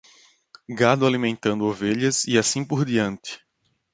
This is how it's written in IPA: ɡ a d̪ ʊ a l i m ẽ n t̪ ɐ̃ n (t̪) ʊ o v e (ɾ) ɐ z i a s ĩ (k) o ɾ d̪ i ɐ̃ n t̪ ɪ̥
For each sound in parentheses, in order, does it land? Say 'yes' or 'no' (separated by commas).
no, no, no